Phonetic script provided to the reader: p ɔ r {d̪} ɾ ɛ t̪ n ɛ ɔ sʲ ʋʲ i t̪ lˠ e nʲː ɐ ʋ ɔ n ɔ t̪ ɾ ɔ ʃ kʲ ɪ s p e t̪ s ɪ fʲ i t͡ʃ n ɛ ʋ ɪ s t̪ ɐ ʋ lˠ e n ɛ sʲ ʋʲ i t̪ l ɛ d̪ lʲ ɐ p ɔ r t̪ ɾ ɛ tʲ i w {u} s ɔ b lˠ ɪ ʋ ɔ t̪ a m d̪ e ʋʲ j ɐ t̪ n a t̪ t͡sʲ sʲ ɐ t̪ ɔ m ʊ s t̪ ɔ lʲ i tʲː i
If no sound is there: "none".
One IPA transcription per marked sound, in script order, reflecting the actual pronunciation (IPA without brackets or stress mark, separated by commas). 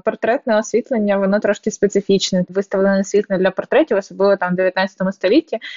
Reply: t̪, ɔ